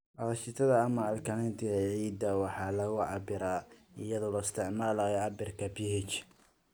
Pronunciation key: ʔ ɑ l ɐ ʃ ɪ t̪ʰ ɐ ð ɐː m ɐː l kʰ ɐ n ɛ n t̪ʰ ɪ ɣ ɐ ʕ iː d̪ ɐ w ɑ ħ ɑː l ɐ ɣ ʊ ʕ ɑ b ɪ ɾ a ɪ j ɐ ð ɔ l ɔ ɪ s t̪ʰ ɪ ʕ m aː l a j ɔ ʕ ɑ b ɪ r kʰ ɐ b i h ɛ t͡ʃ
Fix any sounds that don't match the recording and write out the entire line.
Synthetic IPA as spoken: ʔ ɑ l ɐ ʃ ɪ t̪ʰ ɐ ð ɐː m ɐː l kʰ ɐ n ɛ n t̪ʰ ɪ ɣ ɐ ʕ iː d̪ ɐ w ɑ ħ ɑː l ɐ ɣ ʊ ʕ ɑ b ɪ ɾ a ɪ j ɐ ð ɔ l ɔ ɪ s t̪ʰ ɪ ʕ m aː l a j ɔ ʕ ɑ b ɪ r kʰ ɐ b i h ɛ t͡ʃ